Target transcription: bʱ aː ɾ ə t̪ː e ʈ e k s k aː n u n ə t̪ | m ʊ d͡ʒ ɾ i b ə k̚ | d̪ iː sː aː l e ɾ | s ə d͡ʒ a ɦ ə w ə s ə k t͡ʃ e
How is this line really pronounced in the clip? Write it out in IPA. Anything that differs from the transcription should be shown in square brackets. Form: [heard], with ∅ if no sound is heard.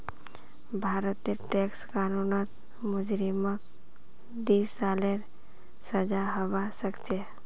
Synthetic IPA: bʱ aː ɾ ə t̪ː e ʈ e k s k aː n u n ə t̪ | m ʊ d͡ʒ ɾ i [m] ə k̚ | d̪ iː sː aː l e ɾ | s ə d͡ʒ a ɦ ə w [a] s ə k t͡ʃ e